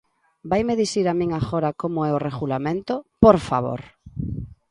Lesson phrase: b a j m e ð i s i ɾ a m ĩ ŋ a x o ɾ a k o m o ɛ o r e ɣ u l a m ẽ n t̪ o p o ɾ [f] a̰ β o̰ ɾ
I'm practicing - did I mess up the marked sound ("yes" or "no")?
no